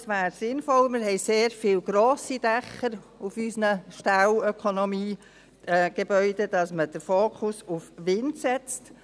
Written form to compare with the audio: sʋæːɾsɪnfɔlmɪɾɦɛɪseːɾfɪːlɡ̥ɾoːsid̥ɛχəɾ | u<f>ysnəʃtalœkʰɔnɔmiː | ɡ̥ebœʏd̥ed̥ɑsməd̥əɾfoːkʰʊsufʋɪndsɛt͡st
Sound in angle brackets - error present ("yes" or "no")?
no